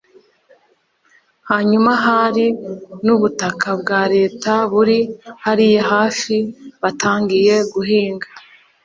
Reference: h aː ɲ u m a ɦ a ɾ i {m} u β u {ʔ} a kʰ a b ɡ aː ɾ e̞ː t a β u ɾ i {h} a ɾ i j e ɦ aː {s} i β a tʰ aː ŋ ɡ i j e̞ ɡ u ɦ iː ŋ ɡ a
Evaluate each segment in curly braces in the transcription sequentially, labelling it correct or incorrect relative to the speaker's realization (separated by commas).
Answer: incorrect, incorrect, correct, incorrect